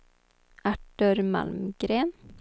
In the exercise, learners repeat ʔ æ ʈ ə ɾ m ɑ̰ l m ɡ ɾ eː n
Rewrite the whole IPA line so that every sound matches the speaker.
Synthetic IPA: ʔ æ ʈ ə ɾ m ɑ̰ l m ɡ ɾ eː n